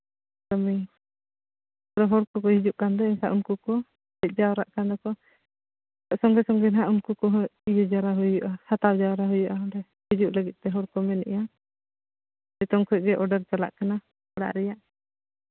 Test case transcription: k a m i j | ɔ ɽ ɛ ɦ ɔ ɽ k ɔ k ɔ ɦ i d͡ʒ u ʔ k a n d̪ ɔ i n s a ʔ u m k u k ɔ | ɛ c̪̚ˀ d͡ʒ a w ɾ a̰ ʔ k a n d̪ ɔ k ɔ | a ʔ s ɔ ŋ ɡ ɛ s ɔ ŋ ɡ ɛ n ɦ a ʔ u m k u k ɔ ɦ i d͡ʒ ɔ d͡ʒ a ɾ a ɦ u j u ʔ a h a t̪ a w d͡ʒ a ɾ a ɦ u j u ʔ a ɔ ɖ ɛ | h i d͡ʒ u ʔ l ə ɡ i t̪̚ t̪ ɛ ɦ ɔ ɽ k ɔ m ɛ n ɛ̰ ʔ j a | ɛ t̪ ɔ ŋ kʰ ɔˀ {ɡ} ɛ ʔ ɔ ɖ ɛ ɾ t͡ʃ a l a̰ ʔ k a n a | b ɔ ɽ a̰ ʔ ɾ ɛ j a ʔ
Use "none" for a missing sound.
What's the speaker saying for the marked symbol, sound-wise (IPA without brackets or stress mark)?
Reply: ɡ